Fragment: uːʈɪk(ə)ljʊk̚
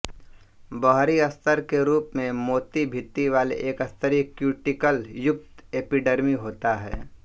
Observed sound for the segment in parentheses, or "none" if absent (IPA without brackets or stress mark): ə